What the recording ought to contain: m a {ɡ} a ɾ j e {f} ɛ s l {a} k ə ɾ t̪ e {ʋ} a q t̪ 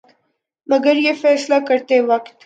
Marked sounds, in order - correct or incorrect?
correct, correct, correct, incorrect

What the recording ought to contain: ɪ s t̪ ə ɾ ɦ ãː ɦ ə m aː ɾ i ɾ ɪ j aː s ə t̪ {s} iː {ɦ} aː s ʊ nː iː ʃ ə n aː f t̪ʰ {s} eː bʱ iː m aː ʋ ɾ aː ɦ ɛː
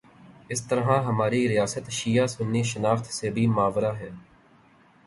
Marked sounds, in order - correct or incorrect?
incorrect, incorrect, correct

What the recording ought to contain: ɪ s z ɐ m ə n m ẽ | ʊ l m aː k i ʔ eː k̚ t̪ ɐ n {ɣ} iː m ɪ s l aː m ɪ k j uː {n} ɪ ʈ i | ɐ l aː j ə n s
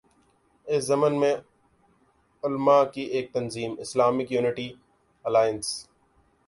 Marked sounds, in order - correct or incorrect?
incorrect, correct

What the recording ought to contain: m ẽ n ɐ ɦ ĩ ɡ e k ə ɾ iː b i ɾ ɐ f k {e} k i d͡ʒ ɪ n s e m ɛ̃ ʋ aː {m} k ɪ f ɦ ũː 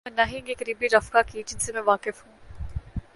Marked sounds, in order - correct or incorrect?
incorrect, incorrect

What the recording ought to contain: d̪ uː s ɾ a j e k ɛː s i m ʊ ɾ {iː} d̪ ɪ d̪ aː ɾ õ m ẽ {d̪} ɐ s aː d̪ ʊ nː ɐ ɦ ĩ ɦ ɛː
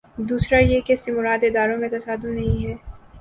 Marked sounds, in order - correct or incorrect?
incorrect, incorrect

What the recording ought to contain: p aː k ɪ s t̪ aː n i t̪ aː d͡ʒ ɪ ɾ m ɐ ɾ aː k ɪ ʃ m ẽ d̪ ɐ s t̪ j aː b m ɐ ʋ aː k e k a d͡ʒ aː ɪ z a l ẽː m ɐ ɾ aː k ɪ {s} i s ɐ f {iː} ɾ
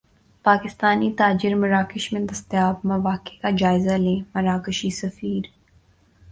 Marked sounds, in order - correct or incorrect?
incorrect, correct

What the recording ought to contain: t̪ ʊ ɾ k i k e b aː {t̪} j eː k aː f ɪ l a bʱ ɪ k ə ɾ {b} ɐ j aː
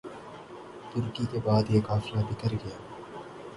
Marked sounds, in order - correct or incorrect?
incorrect, incorrect

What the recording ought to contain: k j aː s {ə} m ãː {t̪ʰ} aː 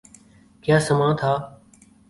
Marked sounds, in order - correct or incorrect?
correct, correct

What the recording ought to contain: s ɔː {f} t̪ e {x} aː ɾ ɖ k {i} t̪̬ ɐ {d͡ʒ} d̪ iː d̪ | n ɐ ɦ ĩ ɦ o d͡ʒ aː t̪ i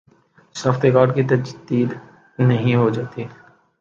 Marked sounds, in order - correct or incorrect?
correct, incorrect, correct, correct

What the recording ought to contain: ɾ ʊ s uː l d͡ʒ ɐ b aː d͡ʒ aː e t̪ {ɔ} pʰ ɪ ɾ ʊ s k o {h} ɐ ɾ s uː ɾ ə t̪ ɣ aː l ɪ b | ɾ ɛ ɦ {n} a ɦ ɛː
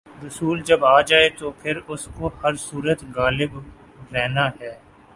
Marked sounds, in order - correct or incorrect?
incorrect, correct, correct

